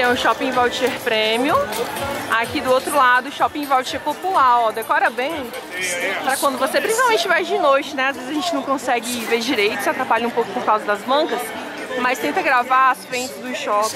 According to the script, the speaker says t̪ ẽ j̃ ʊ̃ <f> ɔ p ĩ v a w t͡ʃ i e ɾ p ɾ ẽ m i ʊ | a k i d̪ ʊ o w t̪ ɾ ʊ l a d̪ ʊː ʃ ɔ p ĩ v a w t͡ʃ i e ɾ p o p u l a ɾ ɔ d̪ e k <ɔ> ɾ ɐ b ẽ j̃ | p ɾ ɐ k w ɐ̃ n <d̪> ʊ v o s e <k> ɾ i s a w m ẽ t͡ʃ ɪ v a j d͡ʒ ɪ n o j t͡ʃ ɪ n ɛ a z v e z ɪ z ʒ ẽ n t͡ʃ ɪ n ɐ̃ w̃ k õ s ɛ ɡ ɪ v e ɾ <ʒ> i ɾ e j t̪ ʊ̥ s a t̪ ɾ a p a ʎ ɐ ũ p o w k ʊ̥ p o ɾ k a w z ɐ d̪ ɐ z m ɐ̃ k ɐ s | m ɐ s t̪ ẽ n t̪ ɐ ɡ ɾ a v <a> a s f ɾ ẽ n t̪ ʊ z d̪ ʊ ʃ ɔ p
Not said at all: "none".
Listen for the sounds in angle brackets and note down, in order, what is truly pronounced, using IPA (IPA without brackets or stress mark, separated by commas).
ʃ, ɔ, d̪, p, d͡ʒ, a